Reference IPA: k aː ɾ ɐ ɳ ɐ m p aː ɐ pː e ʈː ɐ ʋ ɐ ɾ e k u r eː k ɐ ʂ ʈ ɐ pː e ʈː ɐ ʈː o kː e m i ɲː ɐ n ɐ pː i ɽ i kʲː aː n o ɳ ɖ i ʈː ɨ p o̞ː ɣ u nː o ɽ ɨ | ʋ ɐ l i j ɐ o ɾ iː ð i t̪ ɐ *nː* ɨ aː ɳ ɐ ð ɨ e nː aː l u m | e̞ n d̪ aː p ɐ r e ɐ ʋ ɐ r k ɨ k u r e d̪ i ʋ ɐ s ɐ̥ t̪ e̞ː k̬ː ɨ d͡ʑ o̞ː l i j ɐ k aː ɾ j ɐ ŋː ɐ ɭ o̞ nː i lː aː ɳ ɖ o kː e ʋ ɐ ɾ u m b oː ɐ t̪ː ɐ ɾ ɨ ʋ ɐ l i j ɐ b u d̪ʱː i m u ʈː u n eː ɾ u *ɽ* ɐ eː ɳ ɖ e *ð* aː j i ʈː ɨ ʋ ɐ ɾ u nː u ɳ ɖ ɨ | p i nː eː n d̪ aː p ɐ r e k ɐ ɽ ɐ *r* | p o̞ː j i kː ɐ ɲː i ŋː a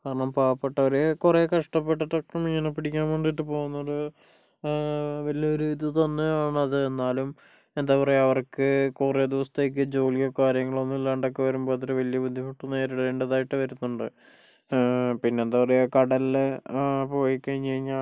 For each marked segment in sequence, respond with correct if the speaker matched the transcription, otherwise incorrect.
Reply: correct, correct, correct, incorrect

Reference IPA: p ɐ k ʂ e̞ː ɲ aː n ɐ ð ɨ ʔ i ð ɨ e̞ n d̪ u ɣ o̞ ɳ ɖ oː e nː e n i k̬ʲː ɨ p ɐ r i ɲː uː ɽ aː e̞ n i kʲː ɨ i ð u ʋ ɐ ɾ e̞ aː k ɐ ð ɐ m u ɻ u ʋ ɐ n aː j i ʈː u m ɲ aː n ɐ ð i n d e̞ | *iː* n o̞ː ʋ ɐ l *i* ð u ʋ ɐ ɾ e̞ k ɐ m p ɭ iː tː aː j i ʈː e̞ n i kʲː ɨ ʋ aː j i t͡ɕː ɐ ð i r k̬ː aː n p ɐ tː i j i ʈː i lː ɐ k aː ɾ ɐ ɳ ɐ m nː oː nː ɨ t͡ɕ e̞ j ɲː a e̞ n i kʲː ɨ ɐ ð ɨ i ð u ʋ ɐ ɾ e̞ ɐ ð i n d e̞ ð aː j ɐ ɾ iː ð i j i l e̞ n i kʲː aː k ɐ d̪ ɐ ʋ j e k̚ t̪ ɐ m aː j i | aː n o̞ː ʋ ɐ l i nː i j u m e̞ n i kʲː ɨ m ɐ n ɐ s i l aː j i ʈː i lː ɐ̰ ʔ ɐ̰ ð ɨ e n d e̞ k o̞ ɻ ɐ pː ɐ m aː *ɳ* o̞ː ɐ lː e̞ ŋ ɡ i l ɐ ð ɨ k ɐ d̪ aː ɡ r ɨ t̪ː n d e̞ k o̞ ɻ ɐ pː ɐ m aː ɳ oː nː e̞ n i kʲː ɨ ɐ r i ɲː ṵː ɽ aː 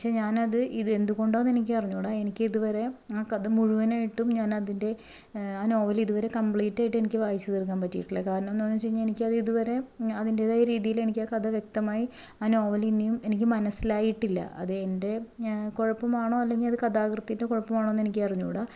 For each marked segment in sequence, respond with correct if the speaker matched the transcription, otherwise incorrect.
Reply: incorrect, correct, correct

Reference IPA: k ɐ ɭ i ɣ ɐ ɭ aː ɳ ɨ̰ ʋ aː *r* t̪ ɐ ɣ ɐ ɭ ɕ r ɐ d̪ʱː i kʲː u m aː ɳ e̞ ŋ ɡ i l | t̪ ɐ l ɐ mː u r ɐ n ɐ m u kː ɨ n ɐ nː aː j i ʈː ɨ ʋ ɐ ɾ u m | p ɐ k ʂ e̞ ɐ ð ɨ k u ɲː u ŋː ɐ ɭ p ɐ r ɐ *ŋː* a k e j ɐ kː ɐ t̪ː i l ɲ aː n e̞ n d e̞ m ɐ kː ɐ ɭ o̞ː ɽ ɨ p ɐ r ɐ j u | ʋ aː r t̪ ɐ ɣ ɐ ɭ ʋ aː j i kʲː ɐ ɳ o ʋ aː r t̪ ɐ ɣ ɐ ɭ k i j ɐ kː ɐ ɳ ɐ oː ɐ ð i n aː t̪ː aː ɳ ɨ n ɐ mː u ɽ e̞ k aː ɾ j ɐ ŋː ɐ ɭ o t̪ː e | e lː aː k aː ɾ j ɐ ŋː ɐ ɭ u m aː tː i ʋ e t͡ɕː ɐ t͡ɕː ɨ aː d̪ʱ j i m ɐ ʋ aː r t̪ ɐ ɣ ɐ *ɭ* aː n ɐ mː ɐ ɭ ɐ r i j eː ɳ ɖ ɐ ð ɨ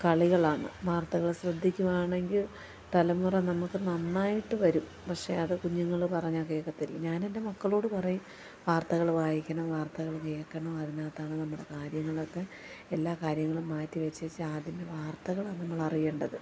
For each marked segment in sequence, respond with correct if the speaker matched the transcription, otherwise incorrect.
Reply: correct, incorrect, correct

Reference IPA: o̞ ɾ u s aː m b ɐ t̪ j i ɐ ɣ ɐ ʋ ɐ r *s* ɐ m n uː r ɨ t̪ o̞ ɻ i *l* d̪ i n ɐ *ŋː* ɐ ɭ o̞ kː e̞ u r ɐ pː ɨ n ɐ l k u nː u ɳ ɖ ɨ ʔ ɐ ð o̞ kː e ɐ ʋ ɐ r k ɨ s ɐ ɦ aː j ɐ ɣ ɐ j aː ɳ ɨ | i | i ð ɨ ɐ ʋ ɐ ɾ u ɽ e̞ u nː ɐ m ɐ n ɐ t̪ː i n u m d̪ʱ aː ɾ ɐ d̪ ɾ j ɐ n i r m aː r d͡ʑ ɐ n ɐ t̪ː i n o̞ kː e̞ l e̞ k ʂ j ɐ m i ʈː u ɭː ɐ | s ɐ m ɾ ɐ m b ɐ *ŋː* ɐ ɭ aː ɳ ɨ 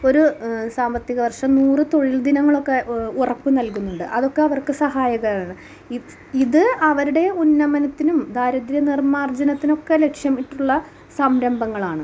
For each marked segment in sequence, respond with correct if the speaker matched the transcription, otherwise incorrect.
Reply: incorrect, correct, correct, correct

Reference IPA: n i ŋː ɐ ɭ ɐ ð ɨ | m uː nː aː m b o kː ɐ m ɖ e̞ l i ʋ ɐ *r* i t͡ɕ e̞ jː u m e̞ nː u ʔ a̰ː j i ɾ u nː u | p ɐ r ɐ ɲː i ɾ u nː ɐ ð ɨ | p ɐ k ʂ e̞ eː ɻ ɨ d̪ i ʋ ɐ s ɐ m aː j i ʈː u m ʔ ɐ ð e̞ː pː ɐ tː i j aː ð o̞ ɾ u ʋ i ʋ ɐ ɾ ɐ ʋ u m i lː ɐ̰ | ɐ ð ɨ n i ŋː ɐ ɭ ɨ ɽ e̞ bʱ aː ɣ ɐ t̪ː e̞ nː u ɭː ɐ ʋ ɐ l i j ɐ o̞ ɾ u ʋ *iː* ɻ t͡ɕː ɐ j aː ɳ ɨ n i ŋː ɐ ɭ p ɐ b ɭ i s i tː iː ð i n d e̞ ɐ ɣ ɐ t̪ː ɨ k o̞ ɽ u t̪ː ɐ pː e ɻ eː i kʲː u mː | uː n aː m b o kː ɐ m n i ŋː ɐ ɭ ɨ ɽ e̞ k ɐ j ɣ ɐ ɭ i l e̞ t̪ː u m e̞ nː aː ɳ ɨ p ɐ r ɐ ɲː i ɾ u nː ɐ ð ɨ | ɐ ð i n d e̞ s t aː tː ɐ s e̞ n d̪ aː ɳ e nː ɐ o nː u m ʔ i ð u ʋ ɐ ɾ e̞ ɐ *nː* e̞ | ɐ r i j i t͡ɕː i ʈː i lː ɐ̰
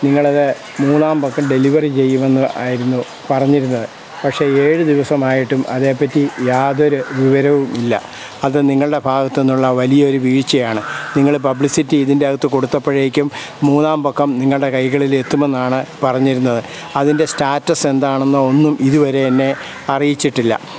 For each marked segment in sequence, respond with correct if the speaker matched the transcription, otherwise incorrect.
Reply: correct, correct, correct

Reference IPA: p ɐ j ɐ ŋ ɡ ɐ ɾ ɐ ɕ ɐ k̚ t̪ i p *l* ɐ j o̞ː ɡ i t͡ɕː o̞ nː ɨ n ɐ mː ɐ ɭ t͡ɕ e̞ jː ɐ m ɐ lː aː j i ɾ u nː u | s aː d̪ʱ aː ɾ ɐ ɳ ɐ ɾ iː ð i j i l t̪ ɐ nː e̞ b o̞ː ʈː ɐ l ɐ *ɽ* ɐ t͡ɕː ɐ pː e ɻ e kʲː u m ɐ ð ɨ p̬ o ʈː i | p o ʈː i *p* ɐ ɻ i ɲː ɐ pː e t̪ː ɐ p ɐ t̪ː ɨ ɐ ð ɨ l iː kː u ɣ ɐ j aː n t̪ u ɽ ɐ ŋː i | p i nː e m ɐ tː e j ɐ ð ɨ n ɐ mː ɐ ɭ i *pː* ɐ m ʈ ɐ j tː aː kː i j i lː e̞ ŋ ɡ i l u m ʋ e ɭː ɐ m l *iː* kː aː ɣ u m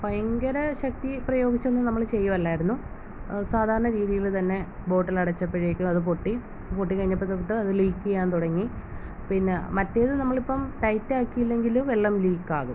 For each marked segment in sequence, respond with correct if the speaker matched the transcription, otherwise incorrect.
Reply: incorrect, correct, incorrect, correct, correct

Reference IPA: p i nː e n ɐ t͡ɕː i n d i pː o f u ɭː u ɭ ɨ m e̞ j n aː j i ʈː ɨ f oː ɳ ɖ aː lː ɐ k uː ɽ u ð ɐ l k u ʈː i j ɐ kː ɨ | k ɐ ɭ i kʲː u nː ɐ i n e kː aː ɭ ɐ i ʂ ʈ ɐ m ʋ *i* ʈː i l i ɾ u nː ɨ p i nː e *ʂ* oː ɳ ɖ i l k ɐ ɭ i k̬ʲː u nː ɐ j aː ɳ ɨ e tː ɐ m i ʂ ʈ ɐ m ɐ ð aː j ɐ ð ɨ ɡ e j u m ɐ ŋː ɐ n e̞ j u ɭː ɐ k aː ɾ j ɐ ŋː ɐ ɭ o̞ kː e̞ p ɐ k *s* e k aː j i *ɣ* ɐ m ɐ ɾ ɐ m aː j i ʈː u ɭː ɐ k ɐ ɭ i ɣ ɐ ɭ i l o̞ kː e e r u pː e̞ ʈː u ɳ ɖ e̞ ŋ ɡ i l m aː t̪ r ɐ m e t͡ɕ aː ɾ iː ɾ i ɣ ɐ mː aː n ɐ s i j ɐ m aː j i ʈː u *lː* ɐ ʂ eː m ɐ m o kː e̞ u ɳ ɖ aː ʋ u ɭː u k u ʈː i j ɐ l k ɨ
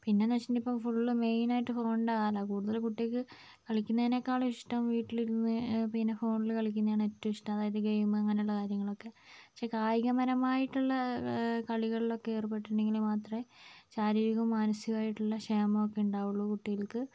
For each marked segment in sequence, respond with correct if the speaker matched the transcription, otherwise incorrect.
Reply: incorrect, incorrect, incorrect, correct, incorrect

